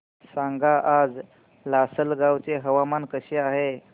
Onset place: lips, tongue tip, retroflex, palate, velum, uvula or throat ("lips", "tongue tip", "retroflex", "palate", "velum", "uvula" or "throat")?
tongue tip